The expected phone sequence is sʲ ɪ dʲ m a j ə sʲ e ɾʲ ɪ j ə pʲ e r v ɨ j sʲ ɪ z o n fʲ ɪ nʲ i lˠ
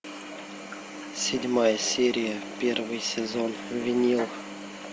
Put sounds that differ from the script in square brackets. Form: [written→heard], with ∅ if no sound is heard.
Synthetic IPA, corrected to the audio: sʲ ɪ dʲ m a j ə sʲ e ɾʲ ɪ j ə pʲ e r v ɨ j sʲ ɪ z o n [fʲ→vʲ] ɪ nʲ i lˠ

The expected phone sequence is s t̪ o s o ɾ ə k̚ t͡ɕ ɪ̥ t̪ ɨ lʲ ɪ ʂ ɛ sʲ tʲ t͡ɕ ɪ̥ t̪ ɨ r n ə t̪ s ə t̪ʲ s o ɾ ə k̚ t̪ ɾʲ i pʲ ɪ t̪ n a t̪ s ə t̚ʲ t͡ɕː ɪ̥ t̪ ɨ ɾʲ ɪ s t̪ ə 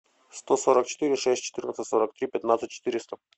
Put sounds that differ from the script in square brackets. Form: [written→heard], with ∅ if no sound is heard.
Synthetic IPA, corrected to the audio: s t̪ o s o ɾ ə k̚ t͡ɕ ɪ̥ t̪ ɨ [lʲ→ɾʲ] ɪ ʂ ɛ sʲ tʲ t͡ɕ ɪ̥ t̪ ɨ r n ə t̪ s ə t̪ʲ s o ɾ ə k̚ t̪ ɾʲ i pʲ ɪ t̪ n a t̪ s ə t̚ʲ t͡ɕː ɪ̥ t̪ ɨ ɾʲ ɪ s t̪ ə

